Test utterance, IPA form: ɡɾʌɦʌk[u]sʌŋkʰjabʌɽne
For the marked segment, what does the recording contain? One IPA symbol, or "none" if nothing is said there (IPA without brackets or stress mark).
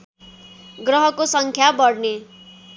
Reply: o